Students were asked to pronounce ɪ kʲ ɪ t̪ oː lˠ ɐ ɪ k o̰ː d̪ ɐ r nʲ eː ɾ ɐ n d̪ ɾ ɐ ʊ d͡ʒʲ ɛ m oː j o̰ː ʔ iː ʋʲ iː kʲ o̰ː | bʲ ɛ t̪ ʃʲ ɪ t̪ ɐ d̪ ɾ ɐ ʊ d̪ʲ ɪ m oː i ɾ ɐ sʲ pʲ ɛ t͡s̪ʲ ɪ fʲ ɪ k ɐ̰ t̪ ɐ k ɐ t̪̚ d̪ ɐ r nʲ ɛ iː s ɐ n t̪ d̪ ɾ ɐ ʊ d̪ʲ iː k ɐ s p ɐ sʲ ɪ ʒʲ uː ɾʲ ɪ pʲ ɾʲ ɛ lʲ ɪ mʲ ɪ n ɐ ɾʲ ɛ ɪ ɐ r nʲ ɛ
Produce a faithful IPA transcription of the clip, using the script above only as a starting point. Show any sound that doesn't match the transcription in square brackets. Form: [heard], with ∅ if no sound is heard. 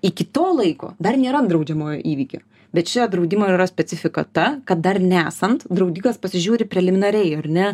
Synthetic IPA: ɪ kʲ ɪ t̪ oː lˠ ɐ ɪ k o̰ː d̪ ɐ r nʲ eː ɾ ɐ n d̪ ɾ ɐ ʊ d͡ʒʲ ɛ m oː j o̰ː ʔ iː ʋʲ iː kʲ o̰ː | bʲ ɛ t̪ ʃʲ ɪ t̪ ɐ d̪ ɾ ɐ ʊ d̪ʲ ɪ m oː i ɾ ɐ sʲ pʲ ɛ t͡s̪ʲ ɪ fʲ ɪ k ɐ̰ t̪ ɐ k ɐ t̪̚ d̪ ɐ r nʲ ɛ [æː] s ɐ n t̪ d̪ ɾ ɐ ʊ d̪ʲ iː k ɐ s p ɐ sʲ ɪ ʒʲ uː ɾʲ ɪ pʲ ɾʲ ɛ lʲ ɪ mʲ ɪ n ɐ ɾʲ ɛ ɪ ɐ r nʲ ɛ